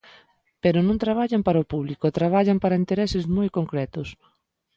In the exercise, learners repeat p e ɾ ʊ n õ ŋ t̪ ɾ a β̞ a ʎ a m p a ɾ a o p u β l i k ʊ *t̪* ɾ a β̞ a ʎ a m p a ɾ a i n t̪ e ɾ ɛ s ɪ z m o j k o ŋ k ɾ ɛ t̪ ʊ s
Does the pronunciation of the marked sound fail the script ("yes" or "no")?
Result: no